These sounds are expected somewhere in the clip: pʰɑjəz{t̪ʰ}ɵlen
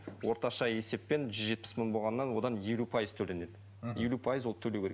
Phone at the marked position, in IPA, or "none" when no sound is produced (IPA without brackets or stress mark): t̪ʰ